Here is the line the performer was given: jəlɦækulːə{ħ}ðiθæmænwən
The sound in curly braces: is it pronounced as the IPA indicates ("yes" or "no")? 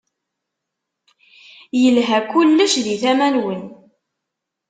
no